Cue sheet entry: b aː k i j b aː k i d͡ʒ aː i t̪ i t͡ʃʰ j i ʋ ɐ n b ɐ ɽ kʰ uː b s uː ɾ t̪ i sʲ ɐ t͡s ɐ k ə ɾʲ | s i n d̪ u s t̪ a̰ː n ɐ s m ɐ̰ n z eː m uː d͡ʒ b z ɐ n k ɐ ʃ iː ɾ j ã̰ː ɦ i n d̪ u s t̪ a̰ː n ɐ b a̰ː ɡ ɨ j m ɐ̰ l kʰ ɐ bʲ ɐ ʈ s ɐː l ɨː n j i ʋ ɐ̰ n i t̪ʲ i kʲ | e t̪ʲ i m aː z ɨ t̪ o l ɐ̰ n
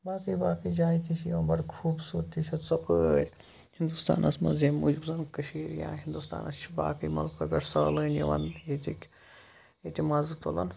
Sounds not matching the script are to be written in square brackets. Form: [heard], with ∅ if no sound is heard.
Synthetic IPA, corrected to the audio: b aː k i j b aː k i d͡ʒ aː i t̪ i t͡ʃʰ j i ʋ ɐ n b ɐ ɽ kʰ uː b s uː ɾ t̪ i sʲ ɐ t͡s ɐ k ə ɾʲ | [h] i n d̪ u s t̪ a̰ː n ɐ s m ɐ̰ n z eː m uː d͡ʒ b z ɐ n k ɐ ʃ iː ɾ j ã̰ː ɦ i n d̪ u s t̪ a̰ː n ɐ b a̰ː [k] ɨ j m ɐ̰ l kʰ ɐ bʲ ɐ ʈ s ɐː l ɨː n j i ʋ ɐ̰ n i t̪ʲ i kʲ | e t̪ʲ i m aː z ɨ t̪ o l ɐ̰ n